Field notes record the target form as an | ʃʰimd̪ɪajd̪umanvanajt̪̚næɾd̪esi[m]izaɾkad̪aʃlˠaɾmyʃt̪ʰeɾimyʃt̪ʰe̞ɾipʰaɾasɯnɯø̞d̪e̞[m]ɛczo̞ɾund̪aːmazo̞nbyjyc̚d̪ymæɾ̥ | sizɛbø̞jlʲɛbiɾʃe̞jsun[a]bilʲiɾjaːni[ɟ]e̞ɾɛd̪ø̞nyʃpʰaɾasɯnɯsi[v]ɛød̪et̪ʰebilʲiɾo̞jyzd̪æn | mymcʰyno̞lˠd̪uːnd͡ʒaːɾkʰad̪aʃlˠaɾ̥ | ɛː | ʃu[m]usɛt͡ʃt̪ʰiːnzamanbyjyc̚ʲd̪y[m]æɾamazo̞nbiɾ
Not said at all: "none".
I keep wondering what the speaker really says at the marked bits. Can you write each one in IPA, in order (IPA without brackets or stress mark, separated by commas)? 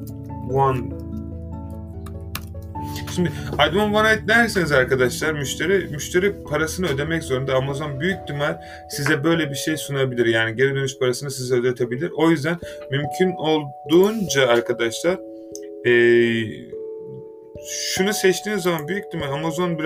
n, m, a, ɟ, z, n, m